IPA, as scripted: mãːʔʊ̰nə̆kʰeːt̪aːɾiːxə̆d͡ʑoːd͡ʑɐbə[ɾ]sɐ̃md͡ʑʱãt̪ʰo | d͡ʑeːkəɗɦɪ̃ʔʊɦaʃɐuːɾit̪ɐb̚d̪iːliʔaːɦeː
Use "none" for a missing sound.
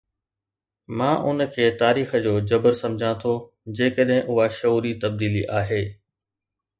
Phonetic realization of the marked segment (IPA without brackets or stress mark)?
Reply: ɾ